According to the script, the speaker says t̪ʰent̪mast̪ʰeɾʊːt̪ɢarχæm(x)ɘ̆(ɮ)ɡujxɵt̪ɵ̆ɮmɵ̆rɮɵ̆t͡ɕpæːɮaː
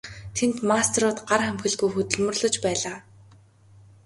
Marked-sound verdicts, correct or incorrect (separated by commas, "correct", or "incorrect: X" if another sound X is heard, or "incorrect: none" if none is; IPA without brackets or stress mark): correct, correct